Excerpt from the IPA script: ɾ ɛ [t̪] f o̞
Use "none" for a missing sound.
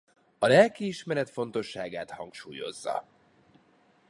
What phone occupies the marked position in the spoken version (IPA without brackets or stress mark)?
t̪